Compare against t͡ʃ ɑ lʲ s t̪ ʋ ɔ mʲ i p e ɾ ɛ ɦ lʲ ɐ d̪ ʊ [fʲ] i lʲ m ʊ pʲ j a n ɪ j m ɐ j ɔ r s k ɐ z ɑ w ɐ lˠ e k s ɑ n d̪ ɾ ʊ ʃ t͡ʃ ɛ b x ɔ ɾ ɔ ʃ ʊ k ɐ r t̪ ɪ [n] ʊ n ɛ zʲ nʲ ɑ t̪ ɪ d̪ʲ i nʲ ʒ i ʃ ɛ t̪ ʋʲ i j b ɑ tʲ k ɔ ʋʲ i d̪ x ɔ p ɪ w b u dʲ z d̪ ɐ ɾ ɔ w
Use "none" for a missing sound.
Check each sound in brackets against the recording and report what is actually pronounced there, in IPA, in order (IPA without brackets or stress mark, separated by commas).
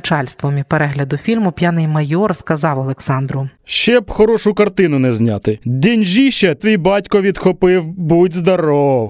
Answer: fʲ, n